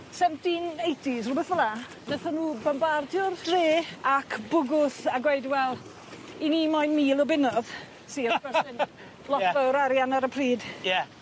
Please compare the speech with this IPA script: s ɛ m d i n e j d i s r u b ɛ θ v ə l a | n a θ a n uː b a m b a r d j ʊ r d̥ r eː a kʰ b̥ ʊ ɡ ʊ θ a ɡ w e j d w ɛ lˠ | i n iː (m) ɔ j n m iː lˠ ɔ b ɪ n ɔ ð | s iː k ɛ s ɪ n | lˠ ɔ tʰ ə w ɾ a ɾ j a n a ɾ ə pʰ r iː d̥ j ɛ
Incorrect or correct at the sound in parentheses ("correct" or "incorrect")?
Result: correct